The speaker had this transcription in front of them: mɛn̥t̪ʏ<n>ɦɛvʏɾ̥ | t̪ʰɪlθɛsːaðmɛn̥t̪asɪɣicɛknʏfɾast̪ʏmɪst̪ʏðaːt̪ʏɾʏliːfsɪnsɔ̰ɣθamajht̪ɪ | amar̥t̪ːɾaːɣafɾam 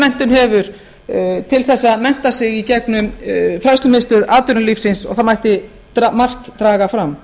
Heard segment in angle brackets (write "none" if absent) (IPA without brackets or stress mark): n